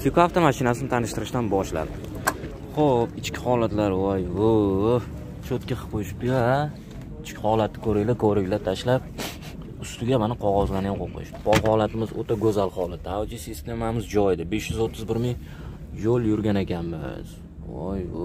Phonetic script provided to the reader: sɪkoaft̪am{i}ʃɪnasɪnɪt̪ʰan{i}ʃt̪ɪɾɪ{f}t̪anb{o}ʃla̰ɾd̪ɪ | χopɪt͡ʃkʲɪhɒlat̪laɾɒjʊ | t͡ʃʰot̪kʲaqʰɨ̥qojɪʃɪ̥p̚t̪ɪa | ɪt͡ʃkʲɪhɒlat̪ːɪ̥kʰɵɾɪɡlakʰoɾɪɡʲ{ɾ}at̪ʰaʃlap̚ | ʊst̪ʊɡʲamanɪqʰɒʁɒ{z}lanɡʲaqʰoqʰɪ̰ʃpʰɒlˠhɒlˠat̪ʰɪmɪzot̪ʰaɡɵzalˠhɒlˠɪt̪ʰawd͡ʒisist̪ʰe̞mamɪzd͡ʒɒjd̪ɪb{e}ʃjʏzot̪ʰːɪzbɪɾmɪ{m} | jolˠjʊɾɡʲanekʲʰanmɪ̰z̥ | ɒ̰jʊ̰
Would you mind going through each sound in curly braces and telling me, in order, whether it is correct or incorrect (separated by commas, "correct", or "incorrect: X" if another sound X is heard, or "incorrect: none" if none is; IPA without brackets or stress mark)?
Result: incorrect: a, incorrect: ɪ, incorrect: ʃ, incorrect: ɒ, incorrect: l, correct, correct, incorrect: ŋ